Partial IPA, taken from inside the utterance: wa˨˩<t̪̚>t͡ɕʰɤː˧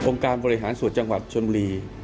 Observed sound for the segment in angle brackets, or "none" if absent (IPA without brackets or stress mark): t̪̚